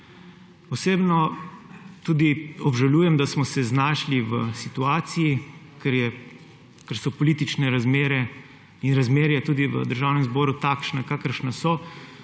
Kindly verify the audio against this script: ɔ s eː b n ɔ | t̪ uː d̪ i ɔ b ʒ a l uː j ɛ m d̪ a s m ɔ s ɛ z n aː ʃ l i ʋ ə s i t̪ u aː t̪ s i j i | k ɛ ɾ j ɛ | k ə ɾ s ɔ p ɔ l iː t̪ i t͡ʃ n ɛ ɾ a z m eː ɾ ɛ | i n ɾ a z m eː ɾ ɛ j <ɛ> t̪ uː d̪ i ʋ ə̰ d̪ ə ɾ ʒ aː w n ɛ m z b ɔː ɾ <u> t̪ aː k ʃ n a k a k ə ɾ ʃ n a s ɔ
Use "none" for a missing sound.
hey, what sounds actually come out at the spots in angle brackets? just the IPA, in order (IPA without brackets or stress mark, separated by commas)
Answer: ɛ, u